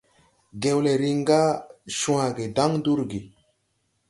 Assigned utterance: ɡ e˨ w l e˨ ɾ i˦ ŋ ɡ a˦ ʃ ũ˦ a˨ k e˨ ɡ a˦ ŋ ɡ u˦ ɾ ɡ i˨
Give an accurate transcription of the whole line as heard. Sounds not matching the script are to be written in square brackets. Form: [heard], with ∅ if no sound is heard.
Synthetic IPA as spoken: ɡ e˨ w l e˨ ɾ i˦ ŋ ɡ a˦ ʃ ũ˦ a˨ [ɡ] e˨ [d] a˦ ŋ [d] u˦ ɾ ɡ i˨